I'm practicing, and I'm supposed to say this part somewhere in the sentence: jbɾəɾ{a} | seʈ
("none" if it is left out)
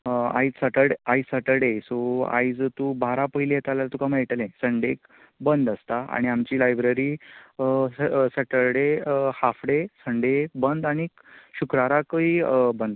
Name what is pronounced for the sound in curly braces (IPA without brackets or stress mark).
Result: i